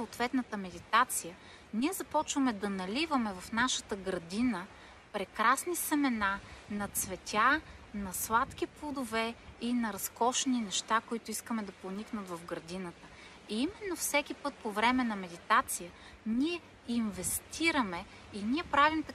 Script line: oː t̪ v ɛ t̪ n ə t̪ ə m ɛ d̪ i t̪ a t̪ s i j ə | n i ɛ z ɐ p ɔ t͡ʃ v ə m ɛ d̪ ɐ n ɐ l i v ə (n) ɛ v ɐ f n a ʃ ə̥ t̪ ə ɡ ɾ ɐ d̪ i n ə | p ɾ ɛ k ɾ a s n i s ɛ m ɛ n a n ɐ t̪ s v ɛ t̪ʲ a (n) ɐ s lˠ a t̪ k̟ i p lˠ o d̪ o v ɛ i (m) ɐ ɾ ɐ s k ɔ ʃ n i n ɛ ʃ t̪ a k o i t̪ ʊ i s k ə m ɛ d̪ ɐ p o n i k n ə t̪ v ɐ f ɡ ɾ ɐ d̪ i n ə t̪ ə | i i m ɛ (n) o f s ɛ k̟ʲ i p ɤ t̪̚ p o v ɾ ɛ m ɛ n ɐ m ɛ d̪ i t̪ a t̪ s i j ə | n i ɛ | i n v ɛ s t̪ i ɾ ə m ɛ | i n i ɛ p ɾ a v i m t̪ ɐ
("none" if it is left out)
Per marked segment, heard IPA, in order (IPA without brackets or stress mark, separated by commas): m, n, n, nː